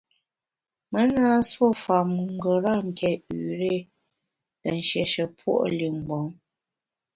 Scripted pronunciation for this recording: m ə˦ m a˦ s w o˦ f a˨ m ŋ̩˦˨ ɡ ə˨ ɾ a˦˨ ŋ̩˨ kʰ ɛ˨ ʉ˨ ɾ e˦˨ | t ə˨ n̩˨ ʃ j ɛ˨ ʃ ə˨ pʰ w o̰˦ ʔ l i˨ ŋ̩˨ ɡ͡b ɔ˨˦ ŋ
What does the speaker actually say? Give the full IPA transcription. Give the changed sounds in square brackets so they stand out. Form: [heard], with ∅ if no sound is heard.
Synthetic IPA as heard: m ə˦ [n] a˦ s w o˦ f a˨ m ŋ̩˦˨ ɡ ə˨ ɾ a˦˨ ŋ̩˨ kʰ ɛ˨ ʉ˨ ɾ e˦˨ | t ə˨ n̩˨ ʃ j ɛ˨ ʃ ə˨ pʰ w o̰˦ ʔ l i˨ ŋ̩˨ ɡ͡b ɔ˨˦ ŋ